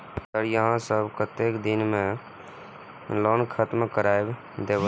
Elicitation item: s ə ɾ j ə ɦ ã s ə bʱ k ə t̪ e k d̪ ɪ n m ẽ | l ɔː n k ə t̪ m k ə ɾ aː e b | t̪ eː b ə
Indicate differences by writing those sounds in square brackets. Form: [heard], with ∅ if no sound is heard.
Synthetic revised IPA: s ə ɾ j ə ɦ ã s ə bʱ k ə t̪ e k d̪ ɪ n m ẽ | l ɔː n [kʰ] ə t̪ m k ə ɾ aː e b | [d̪] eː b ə